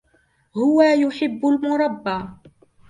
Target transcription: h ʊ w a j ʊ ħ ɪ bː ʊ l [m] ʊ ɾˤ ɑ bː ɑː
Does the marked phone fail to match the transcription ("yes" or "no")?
no